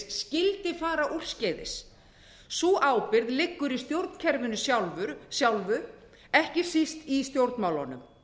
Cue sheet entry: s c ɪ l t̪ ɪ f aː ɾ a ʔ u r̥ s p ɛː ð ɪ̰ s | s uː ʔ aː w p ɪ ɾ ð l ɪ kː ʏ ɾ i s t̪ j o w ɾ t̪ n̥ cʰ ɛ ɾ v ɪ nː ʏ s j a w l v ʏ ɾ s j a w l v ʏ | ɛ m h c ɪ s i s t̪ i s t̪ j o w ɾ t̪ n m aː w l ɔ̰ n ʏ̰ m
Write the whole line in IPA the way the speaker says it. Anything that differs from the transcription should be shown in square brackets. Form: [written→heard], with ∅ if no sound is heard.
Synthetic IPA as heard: s c ɪ l t̪ ɪ f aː ɾ a ʔ u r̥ s [p→c] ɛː ð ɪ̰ s | s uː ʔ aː w p ɪ ɾ ð l ɪ kː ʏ ɾ i s t̪ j o w ɾ t̪ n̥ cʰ ɛ ɾ v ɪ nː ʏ s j a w l v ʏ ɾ s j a w l v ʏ | ɛ [m→∅] h c ɪ s i s t̪ i s t̪ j o w ɾ t̪ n m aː w l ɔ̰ n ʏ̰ m